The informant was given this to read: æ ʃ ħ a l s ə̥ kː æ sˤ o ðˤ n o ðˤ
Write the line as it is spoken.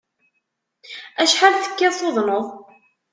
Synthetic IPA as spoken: æ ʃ ħ a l θ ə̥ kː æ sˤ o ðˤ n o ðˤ